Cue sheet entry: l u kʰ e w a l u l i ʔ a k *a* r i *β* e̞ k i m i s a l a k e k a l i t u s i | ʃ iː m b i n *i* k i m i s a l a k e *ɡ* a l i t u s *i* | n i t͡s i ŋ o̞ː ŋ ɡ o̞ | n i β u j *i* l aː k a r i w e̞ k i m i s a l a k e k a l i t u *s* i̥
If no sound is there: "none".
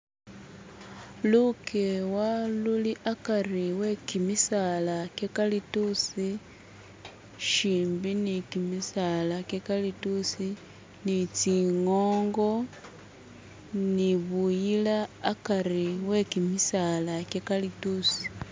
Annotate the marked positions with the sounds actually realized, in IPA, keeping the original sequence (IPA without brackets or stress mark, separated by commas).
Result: a, w, i, k, i, i, s